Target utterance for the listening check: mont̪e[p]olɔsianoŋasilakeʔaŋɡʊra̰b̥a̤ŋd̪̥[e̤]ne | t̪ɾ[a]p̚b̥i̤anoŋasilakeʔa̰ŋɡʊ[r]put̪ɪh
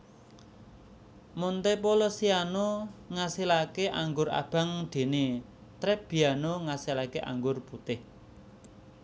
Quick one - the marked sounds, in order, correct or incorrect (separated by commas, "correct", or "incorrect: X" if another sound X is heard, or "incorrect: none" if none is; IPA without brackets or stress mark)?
correct, correct, incorrect: ɛ, correct